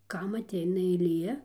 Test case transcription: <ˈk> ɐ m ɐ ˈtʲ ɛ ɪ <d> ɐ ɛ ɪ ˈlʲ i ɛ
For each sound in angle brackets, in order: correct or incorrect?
correct, incorrect: n

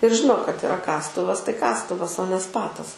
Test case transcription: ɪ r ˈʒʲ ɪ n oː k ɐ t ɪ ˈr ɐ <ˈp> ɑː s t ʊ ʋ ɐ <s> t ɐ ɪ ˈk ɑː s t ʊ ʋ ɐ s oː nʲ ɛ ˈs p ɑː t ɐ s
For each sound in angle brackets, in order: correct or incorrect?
incorrect: k, correct

